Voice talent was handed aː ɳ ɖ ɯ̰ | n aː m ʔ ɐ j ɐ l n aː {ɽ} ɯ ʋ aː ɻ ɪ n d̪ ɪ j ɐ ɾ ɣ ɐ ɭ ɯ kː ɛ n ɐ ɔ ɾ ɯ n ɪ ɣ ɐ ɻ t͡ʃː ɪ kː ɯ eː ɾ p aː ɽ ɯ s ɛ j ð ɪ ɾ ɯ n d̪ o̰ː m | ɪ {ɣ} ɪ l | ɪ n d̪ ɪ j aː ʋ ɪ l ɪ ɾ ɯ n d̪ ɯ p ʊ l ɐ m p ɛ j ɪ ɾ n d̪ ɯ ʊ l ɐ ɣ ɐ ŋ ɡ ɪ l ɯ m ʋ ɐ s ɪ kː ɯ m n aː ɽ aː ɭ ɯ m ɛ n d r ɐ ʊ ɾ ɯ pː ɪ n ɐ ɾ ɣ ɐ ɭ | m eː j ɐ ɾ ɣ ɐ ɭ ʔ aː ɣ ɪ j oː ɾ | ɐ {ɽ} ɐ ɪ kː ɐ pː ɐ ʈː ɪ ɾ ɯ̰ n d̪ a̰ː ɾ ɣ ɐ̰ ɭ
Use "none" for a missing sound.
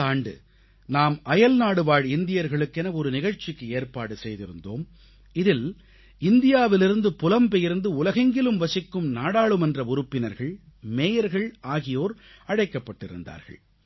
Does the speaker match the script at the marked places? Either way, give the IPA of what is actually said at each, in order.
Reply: ɽ, ð, ɽ

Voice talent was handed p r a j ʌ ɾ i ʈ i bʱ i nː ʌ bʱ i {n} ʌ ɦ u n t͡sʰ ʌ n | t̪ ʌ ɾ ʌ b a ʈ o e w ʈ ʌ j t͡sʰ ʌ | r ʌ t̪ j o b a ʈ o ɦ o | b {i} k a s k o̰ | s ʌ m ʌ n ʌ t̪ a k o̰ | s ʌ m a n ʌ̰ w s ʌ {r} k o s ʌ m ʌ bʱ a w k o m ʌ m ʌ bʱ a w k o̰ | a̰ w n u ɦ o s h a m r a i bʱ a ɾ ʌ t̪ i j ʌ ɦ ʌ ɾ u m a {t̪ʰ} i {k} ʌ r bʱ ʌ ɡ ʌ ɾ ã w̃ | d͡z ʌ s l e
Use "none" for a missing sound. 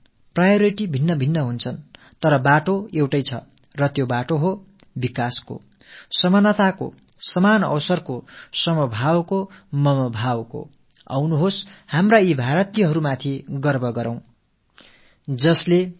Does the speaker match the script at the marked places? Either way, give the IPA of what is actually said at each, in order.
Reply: nː, i, r, t̪ʰ, ɡ

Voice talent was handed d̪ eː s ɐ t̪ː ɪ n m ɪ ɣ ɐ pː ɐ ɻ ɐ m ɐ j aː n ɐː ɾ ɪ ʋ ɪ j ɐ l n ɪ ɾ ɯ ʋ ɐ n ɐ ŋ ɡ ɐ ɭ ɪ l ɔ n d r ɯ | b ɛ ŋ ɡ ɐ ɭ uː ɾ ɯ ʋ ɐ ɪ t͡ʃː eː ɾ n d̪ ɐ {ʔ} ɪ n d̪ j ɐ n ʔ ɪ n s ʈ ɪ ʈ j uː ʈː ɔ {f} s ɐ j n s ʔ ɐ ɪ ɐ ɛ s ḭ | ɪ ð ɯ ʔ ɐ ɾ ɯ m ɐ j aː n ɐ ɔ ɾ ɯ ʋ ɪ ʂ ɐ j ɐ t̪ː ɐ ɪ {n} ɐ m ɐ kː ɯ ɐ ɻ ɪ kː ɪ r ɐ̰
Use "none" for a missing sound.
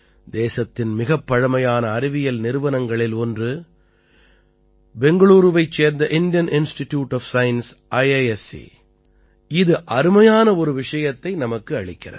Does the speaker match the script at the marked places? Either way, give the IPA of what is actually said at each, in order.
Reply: ʔ, f, n

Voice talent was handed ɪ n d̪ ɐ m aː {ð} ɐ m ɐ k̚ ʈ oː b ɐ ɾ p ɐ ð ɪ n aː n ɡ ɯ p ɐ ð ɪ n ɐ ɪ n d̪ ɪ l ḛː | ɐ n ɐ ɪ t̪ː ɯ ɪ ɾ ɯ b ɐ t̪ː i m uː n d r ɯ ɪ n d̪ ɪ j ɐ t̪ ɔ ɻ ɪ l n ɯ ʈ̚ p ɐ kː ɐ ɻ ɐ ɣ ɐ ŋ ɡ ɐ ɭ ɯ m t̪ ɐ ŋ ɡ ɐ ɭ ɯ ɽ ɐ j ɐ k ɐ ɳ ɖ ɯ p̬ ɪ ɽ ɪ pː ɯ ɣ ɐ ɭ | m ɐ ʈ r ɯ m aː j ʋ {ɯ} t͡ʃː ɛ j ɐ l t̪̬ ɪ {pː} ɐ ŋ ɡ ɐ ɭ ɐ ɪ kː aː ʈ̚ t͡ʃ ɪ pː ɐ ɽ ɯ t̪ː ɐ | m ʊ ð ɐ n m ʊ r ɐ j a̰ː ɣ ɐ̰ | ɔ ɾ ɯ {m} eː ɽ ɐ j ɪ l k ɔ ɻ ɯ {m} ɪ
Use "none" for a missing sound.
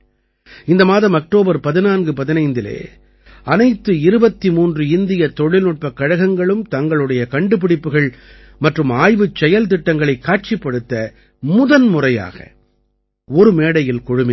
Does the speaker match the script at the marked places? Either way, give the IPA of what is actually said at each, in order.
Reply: ð, ɯ, ʈː, m, m

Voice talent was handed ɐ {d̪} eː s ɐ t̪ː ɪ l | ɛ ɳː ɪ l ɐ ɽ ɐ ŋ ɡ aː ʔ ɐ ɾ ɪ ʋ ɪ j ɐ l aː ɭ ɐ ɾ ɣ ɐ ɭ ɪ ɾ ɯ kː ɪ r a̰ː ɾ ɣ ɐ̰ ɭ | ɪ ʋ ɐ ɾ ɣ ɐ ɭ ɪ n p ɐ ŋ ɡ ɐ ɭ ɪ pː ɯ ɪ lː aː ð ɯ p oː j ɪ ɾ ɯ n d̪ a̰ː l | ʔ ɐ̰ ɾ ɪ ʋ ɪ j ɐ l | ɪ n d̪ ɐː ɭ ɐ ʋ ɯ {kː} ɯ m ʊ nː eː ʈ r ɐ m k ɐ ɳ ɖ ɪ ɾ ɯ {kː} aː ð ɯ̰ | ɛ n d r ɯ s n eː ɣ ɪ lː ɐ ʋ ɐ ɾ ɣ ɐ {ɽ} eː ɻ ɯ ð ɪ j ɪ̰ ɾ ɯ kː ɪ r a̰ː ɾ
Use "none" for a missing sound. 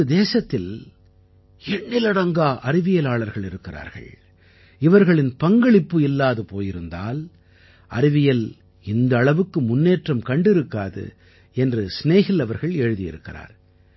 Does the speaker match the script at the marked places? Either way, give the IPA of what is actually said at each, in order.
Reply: d̪, kː, kː, ɭ

